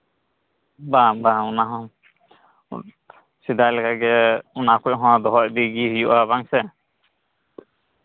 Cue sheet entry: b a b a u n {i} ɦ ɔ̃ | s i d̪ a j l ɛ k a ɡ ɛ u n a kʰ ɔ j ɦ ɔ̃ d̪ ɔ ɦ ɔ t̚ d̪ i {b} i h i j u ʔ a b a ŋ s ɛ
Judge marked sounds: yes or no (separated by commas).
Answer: no, no